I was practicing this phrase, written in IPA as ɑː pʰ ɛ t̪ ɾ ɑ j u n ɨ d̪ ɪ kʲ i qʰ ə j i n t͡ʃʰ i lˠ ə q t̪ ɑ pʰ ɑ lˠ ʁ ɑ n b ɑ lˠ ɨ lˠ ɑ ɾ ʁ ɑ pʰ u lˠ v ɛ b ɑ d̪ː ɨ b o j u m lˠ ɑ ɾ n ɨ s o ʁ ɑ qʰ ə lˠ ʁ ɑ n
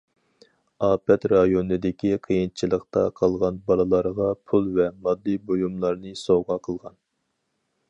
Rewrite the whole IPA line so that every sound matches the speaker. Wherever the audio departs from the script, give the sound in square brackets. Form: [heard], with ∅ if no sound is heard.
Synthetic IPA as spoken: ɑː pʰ ɛ t̪ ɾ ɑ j [o] n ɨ d̪ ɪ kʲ i qʰ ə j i n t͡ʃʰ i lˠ ə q t̪ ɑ [qʰ] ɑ lˠ ʁ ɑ n b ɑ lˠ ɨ lˠ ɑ ɾ ʁ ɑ pʰ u lˠ v ɛ [m] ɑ d̪ː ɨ b o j u m lˠ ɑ ɾ n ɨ s o ʁ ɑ qʰ ə lˠ ʁ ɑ n